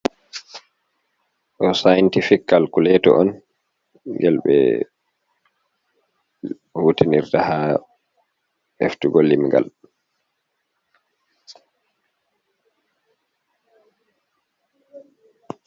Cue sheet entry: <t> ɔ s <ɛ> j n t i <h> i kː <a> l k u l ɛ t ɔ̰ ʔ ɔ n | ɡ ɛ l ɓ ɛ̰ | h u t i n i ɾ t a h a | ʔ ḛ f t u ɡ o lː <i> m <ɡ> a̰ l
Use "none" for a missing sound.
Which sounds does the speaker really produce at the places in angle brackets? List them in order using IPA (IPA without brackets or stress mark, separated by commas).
ʔ, a, f, a, i, ɡ